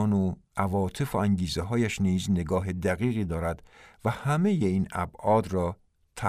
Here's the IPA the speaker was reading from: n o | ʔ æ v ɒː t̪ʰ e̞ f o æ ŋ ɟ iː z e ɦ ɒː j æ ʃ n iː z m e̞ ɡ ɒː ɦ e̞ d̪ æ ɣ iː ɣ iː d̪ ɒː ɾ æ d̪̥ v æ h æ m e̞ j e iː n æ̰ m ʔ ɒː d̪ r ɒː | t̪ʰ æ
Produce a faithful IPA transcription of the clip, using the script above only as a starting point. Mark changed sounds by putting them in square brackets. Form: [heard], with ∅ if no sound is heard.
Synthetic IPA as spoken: n o | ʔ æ v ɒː t̪ʰ e̞ f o æ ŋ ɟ iː z e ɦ ɒː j æ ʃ n iː z [n] e̞ ɡ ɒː ɦ e̞ d̪ æ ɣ iː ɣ iː d̪ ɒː ɾ æ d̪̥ v æ h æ m e̞ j e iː n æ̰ [b] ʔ ɒː d̪ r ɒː | t̪ʰ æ